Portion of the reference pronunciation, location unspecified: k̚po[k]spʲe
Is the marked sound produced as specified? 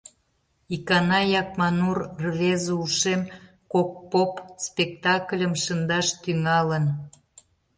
no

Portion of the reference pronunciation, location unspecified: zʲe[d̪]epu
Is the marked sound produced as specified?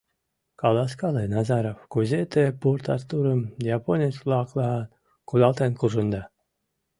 no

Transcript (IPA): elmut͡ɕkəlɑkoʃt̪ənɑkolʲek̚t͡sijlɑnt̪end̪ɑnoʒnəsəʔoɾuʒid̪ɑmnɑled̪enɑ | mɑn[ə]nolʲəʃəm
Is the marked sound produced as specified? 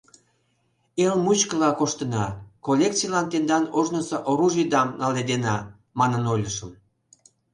yes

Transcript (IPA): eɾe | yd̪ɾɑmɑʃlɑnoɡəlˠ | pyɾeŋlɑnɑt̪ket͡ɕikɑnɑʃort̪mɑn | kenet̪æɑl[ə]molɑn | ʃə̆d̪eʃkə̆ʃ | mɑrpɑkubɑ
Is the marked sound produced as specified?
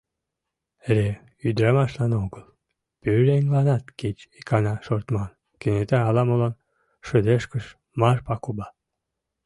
no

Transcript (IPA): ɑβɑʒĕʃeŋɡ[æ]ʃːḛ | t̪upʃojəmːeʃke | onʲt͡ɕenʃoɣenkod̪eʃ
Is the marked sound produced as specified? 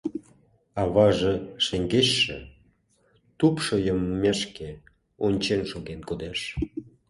no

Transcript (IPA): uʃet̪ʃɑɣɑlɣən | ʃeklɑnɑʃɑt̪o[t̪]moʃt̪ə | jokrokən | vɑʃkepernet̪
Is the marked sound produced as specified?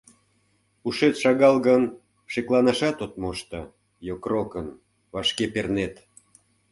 yes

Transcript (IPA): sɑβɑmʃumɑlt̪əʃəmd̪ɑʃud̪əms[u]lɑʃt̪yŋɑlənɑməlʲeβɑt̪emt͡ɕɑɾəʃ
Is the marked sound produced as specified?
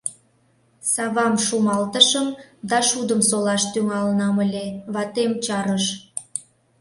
no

